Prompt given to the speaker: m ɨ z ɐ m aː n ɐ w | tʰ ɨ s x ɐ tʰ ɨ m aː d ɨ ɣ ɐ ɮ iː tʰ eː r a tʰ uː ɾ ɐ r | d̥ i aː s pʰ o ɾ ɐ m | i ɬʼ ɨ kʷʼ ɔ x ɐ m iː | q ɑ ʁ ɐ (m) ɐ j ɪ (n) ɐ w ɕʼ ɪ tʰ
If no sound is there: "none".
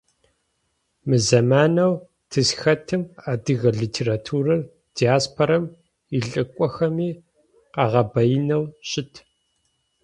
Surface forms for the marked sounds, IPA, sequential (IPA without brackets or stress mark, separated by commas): b, n